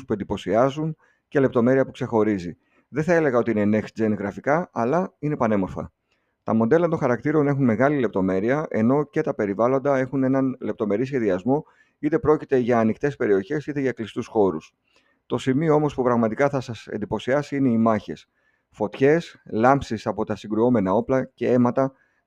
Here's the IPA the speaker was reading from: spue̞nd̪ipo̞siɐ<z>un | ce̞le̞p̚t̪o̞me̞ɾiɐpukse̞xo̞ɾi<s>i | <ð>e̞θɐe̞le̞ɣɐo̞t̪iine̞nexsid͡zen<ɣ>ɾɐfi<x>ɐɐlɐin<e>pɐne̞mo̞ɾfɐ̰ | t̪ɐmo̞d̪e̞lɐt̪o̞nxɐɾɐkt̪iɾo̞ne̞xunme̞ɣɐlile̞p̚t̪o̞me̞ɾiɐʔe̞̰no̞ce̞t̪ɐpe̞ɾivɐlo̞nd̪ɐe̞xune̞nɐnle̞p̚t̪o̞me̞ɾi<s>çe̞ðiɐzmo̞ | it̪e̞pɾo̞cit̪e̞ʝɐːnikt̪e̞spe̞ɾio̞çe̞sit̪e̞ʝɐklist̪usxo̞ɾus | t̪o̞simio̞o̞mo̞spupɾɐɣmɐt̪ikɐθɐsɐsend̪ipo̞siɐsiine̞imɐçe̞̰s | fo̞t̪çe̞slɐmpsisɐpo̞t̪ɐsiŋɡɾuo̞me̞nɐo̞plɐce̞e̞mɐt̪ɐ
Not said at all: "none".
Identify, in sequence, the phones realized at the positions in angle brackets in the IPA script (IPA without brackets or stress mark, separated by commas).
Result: z, z, ð, ɣ, k, e, s